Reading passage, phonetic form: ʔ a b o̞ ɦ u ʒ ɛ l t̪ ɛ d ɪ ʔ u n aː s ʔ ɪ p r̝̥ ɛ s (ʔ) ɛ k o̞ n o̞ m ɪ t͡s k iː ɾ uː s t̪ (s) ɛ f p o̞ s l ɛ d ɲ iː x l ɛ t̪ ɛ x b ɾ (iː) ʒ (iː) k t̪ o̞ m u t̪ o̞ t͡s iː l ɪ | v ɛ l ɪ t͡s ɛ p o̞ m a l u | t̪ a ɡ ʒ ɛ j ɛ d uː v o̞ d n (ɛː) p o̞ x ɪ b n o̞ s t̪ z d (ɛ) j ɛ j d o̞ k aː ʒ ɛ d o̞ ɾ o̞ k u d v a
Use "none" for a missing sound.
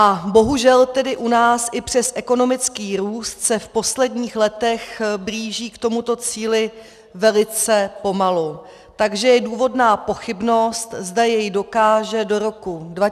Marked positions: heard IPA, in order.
ʔ, s, iː, iː, aː, a

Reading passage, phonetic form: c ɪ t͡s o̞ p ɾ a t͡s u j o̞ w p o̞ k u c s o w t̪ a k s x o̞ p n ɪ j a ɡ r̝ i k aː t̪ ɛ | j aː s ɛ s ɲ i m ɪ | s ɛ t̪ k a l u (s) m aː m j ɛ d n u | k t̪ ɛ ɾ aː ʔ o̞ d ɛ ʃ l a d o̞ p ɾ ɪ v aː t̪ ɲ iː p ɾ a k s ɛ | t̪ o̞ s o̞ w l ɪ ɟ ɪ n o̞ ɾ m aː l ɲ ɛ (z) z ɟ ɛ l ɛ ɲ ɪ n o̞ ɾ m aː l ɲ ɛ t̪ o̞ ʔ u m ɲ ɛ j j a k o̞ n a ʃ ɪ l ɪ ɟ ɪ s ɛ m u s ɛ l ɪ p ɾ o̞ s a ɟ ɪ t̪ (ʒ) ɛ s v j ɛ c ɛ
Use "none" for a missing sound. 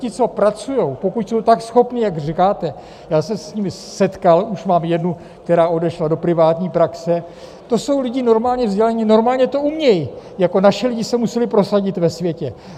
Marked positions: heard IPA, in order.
ʃ, v, v

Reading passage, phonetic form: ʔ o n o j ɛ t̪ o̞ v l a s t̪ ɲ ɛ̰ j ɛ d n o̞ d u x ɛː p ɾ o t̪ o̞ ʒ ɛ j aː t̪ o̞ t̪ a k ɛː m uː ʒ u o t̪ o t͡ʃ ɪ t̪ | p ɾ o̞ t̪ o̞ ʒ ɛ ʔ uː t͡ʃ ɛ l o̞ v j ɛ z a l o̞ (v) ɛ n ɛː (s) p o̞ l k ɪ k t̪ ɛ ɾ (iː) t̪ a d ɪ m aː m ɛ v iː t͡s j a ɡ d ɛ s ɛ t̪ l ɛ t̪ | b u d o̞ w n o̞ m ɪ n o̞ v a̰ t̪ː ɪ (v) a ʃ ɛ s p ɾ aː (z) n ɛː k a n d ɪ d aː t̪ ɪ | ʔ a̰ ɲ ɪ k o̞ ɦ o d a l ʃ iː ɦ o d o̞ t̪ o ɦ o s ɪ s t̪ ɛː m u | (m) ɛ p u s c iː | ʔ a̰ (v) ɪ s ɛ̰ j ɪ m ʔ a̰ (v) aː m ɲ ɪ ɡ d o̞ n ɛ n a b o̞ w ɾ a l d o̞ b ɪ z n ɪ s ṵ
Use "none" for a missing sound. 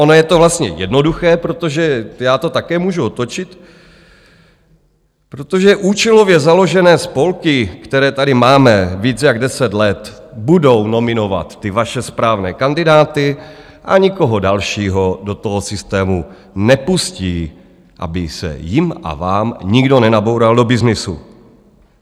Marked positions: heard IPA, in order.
ʒ, s, ɛː, v, v, n, b, v

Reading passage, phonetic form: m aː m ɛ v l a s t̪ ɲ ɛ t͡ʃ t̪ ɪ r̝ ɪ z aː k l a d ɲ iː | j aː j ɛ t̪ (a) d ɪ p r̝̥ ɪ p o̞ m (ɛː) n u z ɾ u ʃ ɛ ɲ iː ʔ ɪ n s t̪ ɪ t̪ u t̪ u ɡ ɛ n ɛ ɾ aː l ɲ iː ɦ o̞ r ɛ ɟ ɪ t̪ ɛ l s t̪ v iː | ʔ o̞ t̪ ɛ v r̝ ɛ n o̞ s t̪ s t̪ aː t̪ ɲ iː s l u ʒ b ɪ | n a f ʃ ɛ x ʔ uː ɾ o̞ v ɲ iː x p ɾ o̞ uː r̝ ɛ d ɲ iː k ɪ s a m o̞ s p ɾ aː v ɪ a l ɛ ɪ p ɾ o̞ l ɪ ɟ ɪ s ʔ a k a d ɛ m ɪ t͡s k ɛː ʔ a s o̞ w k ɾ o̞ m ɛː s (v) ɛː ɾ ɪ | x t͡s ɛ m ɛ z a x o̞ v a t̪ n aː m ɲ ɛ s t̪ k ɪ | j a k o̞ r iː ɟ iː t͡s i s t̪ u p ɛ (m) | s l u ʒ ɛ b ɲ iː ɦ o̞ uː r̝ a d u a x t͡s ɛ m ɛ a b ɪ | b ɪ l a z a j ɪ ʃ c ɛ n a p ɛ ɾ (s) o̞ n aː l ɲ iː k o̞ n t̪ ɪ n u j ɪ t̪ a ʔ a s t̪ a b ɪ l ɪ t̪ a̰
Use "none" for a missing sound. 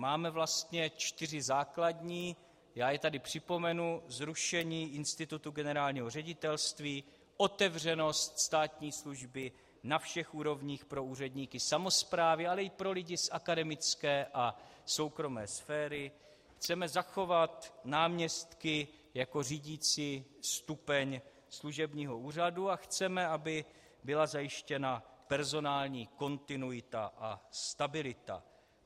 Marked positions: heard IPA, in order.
a, ɛ, f, ɲ, z

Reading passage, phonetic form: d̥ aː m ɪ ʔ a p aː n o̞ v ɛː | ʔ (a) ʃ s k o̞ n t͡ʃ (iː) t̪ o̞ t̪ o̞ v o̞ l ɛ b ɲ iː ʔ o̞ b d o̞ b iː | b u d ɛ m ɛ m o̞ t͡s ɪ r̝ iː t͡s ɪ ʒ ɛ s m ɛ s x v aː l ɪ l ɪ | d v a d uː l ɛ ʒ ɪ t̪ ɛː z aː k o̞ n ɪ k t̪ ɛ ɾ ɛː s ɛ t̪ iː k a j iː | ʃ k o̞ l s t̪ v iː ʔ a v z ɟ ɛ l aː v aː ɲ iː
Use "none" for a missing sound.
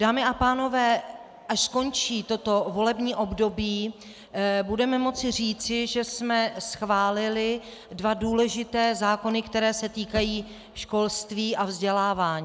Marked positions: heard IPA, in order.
a, iː

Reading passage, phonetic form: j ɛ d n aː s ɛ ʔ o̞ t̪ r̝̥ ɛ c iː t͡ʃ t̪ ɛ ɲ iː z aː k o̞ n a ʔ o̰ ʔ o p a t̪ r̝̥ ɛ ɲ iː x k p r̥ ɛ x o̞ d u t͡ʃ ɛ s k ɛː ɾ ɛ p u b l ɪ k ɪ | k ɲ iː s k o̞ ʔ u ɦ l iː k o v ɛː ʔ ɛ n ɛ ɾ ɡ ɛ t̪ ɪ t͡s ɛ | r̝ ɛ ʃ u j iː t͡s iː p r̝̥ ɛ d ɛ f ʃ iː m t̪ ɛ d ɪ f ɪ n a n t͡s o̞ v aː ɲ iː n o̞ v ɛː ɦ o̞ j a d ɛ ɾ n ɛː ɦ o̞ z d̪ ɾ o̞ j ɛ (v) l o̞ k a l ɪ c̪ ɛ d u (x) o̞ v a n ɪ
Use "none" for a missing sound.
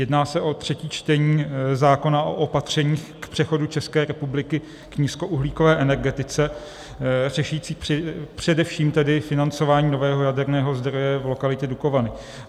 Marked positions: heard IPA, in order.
v, k

